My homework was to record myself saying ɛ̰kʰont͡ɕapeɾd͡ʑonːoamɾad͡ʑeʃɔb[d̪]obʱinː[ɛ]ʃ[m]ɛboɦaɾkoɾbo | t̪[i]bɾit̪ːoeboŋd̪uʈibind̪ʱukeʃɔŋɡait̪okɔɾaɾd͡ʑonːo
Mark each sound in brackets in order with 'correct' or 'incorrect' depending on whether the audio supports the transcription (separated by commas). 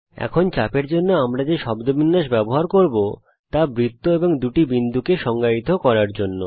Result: correct, incorrect, incorrect, incorrect